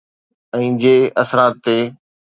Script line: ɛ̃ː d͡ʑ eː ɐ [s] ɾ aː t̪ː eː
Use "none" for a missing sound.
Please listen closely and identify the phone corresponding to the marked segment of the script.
s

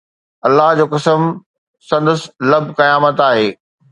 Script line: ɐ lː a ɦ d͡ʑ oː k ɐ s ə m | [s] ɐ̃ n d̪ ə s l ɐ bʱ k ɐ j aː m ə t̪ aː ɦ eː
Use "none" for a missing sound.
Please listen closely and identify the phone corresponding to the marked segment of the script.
s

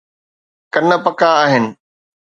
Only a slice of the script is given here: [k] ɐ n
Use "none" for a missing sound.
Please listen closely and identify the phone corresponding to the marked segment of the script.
k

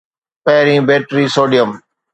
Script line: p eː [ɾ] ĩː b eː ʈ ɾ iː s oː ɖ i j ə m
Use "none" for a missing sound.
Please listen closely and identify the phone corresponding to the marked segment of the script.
ɾ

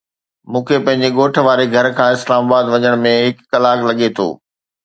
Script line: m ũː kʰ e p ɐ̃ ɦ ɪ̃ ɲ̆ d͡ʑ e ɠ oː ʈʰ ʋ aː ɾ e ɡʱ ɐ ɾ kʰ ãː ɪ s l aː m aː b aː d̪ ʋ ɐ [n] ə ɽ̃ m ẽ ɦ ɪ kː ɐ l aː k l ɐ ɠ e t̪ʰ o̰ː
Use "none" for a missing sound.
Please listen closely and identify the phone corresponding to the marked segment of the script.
ɲ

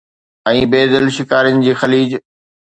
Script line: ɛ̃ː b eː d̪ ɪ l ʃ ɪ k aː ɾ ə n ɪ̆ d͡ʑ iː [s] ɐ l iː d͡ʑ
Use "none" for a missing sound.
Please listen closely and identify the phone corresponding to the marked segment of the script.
x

